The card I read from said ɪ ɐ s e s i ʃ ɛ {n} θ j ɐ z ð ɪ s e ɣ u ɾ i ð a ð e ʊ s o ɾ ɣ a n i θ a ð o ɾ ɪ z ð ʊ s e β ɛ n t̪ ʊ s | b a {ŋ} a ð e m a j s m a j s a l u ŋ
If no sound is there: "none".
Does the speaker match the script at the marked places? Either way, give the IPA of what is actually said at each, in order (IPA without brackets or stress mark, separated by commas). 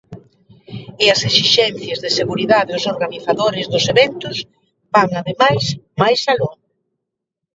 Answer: n, ŋ